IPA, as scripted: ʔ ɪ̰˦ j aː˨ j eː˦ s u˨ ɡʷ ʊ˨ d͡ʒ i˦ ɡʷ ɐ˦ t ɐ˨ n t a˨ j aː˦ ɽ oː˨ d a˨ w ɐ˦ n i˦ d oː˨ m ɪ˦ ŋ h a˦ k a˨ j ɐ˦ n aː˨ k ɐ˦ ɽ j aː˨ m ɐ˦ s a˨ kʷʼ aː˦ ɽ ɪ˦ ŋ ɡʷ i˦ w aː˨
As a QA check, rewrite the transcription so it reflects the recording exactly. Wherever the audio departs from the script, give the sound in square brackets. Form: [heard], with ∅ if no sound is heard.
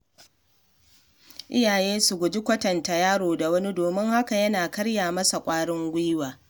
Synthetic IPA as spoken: ʔ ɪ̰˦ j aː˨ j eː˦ s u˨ ɡʷ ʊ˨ d͡ʒ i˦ [kʷ] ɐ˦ t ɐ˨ n t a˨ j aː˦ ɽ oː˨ d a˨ w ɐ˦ n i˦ d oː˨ m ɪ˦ ŋ h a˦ k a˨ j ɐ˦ n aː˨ k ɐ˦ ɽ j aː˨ m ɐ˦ s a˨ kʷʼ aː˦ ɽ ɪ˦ ŋ ɡʷ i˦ w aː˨

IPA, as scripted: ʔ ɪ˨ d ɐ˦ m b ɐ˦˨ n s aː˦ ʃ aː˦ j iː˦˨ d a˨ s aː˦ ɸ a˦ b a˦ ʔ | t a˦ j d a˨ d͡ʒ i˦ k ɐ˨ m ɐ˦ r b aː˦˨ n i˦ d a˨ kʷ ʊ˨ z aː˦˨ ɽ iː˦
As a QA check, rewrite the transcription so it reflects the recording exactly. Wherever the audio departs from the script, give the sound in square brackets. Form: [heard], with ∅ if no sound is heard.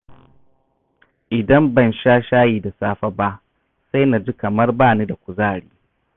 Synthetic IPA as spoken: ʔ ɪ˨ d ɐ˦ m b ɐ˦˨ n [ʃ] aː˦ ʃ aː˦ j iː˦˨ d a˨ s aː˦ ɸ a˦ b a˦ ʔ | [s] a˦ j [n] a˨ d͡ʒ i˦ k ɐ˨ m ɐ˦ r b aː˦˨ n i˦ d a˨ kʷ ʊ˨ z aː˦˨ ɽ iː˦

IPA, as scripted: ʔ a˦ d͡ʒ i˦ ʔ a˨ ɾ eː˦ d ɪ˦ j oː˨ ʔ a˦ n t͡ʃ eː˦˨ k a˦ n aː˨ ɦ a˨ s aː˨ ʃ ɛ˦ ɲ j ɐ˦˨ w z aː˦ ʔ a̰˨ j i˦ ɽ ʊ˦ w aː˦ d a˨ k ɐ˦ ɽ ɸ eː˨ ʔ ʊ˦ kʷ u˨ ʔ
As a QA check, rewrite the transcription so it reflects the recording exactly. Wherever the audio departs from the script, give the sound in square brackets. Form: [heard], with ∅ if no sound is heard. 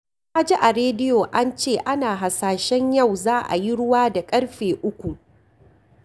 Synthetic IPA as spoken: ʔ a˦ d͡ʒ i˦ ʔ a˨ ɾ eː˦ d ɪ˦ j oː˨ ʔ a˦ n t͡ʃ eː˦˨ [ʔ] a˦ n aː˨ ɦ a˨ s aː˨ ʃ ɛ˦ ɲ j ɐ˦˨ w z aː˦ ʔ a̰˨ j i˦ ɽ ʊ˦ w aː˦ d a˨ [kʼ] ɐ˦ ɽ ɸ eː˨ ʔ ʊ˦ kʷ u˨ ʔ

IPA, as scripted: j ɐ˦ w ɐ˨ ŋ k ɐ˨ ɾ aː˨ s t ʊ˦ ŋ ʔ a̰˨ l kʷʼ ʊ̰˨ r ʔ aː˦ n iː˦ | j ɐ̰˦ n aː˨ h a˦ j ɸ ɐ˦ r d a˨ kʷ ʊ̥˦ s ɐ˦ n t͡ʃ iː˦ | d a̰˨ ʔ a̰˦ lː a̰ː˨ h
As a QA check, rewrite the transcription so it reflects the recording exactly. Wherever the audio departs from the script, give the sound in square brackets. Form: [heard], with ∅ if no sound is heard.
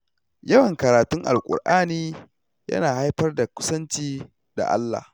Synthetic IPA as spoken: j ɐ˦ w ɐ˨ ŋ k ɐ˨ ɾ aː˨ [∅] t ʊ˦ ŋ ʔ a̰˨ l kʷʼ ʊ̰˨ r ʔ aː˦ n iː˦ | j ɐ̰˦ n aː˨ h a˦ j ɸ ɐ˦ r d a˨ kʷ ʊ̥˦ s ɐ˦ n t͡ʃ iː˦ | d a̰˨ ʔ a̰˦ lː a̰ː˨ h

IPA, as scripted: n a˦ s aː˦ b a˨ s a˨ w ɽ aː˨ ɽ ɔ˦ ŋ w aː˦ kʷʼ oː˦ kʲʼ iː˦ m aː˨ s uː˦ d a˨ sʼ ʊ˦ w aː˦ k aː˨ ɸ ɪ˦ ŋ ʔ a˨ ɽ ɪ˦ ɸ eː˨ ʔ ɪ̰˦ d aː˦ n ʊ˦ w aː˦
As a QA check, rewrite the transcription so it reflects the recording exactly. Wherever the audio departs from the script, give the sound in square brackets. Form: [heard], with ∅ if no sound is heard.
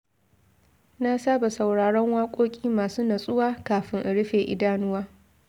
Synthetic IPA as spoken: n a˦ s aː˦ b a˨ s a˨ w ɽ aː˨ ɽ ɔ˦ ŋ w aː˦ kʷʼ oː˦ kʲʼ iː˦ m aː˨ s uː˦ [n] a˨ sʼ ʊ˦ w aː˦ k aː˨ ɸ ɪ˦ ŋ ʔ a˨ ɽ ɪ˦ ɸ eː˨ ʔ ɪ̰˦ d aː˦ n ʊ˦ w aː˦

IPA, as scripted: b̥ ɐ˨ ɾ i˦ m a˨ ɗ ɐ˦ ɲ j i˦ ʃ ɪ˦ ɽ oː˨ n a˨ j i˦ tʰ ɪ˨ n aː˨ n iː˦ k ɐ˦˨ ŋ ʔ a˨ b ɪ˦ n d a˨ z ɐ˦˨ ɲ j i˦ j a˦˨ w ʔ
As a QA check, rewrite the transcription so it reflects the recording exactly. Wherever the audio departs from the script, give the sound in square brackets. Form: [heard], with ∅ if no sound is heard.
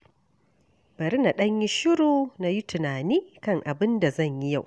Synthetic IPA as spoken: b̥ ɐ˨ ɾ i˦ [n] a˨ ɗ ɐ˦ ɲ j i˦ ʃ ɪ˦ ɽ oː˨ n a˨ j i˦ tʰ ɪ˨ n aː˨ n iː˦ k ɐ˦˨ ŋ ʔ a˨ b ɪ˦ n d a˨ z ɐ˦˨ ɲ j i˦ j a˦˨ w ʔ

